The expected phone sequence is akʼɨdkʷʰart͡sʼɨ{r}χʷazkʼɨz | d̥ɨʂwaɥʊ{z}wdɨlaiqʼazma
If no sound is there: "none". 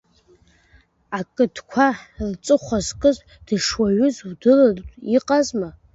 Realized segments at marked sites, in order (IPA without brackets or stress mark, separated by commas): none, z